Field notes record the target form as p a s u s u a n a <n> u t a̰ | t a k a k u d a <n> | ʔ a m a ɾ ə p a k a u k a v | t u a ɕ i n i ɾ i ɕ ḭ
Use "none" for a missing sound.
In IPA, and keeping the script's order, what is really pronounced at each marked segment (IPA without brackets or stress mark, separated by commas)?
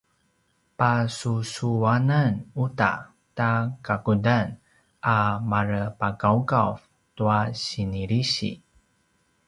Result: n, n